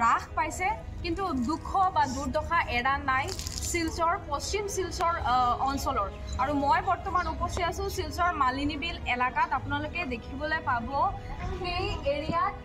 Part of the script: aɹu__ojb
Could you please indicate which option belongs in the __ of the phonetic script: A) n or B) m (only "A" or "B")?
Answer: B